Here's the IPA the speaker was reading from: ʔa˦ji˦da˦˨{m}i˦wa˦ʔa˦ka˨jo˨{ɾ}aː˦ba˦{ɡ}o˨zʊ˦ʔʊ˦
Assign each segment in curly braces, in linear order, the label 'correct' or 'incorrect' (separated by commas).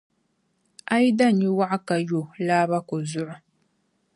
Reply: incorrect, incorrect, incorrect